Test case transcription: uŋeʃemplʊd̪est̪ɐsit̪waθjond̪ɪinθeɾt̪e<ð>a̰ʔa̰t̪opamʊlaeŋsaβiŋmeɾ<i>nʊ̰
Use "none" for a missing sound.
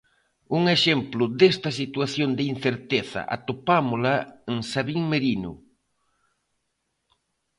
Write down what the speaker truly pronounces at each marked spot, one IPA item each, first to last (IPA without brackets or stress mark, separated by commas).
θ, i